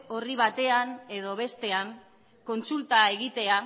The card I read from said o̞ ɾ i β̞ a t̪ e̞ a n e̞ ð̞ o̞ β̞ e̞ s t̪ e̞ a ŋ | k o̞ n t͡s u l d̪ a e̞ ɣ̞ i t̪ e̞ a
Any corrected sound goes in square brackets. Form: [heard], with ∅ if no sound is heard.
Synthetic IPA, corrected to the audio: o̞ [r] i β̞ a t̪ e̞ a n e̞ ð̞ o̞ β̞ e̞ s t̪ e̞ a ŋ | k o̞ n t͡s u l [t̪] a e̞ ɣ̞ i t̪ e̞ a

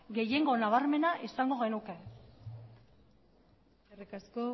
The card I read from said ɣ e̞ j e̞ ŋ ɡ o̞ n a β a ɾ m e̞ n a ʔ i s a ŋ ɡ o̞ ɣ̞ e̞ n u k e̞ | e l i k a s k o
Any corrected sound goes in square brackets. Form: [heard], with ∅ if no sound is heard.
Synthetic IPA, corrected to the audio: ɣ e̞ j e̞ ŋ ɡ o̞ n a β a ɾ m e̞ n a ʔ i s a ŋ ɡ o̞ ɣ̞ e̞ n u k e̞ | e [r] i k a s k o

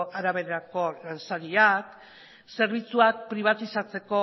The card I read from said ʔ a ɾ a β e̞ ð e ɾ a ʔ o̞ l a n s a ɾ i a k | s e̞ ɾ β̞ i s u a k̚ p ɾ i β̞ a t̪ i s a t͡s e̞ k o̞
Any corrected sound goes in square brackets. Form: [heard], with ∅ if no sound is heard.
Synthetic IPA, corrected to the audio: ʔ a ɾ a β e̞ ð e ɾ a [k] o̞ l a n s a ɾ i a k | s e̞ ɾ β̞ i [t͡s] u a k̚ p ɾ i β̞ a t̪ i s a t͡s e̞ k o̞

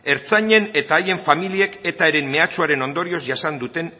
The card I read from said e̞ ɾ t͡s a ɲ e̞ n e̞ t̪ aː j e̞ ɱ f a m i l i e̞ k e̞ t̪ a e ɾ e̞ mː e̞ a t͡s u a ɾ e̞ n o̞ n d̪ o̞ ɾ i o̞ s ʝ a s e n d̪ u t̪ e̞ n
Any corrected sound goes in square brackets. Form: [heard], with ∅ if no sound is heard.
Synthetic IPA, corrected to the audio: e̞ ɾ t͡s a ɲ e̞ n e̞ t̪ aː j e̞ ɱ f a m i l i e̞ k e̞ t̪ a e ɾ e̞ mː e̞ a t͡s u a ɾ e̞ n o̞ n d̪ o̞ ɾ i o̞ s ʝ a s [a] n d̪ u t̪ e̞ n

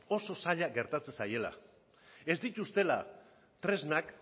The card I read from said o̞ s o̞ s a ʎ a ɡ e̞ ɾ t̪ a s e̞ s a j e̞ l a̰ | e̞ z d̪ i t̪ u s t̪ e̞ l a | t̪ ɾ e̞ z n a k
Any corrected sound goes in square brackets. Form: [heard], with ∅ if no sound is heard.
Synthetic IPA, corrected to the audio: o̞ s o̞ s a ʎ a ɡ e̞ ɾ t̪ a [t͡s] e̞ s a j e̞ l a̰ | e̞ z d̪ i t̪ u s t̪ e̞ l a | t̪ ɾ e̞ z n a k

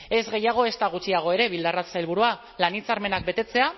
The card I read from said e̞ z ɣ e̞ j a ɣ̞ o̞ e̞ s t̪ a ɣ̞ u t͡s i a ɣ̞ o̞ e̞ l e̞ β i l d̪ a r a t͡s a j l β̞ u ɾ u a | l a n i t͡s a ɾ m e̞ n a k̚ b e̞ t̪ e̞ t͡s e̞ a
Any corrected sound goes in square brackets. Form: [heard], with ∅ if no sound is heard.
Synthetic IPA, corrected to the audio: e̞ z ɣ e̞ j a ɣ̞ o̞ e̞ s t̪ a ɣ̞ u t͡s i a ɣ̞ o̞ e̞ [ɾ] e̞ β i l d̪ a r a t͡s a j l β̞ u ɾ u a | l a n i t͡s a ɾ m e̞ n a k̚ b e̞ t̪ e̞ t͡s e̞ a

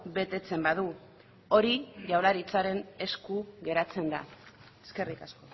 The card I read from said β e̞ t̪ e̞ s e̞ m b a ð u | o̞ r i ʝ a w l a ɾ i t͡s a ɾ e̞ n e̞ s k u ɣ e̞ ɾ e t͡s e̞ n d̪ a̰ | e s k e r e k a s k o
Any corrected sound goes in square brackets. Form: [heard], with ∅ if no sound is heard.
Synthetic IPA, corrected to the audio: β e̞ t̪ e̞ [t͡s] e̞ m b a ð u | o̞ [ɾ] i ʝ a w l a ɾ i t͡s a ɾ e̞ n e̞ s k u ɣ e̞ ɾ [a] t͡s e̞ n d̪ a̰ | e s k e r [i] k a s k o

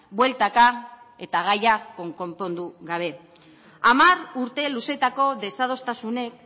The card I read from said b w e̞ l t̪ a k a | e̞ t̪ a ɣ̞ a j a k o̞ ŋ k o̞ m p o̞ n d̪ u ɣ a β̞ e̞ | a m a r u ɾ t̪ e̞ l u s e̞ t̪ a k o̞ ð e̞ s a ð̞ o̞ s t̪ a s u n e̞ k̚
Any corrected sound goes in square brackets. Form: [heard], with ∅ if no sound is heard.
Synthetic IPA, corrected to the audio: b w e̞ l t̪ a k a | e̞ t̪ a ɣ̞ a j a k o̞ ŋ k o̞ m p o̞ n d̪ u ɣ a β̞ e̞ | a m a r u ɾ t̪ e̞ l u s e̞ t̪ a k o̞ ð e̞ s a ð̞ o̞ s t̪ a s u n e̞ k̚

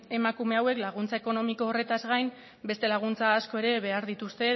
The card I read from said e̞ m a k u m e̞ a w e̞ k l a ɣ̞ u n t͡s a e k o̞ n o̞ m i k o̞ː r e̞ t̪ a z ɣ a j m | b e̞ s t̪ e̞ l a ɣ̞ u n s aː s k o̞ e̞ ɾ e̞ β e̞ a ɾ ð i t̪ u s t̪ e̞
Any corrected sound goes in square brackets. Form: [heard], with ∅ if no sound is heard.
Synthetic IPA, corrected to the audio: e̞ m a k u m e̞ a w e̞ k l a ɣ̞ u n t͡s a e k o̞ n o̞ m i k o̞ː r e̞ t̪ a z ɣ a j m | b e̞ s t̪ e̞ l a ɣ̞ u n [t͡s] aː s k o̞ e̞ ɾ e̞ β e̞ a ɾ ð i t̪ u s t̪ e̞

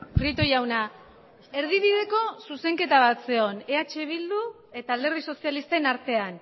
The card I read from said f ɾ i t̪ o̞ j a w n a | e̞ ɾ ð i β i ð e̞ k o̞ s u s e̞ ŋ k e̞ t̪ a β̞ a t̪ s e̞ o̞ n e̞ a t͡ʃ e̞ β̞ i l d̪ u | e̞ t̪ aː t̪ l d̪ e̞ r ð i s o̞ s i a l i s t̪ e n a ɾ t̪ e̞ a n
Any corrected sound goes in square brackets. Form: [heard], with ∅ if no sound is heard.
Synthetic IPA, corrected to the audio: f ɾ i t̪ o̞ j a w n a | e̞ ɾ ð i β i ð e̞ k o̞ s u s e̞ ŋ k e̞ t̪ a β̞ a t̪ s e̞ o̞ n e̞ a t͡ʃ e̞ β̞ i l d̪ u | e̞ t̪ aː [∅] l d̪ e̞ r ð i s o̞ s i a l i s t̪ e n a ɾ t̪ e̞ a n

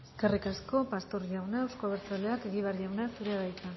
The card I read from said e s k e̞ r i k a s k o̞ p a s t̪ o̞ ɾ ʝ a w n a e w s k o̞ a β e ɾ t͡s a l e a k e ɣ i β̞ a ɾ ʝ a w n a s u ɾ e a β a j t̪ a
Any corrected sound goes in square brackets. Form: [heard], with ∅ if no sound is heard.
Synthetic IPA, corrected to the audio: e s k e̞ r i k a s k o̞ p a s t̪ o̞ ɾ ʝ a w n a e w s k o̞ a β e ɾ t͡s a l e a k e ɣ i β̞ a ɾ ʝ a w n a s u ɾ e a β a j t̪ a

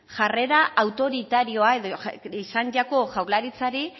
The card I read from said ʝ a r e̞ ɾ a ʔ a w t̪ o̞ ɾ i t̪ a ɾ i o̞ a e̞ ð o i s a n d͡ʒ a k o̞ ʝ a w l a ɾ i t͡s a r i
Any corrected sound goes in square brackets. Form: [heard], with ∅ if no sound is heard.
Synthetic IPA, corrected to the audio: ʝ a r e̞ ɾ a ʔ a w t̪ o̞ ɾ i t̪ a ɾ i o̞ a e̞ ð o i s a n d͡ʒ a k o̞ ʝ a w l a ɾ i t͡s a [ɾ] i

